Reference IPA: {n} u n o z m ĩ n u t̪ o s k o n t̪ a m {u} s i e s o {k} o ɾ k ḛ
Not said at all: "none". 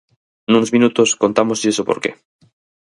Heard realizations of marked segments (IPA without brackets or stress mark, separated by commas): n, o, p